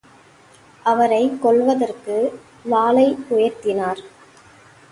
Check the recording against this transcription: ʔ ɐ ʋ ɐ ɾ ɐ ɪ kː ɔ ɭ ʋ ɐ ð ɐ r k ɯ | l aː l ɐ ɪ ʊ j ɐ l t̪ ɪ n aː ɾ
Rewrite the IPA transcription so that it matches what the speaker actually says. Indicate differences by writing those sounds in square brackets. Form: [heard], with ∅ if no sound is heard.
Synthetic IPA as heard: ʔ ɐ ʋ ɐ ɾ ɐ ɪ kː ɔ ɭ ʋ ɐ ð ɐ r k ɯ | l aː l ɐ ɪ ʊ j ɐ [ɾ] t̪ ɪ n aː ɾ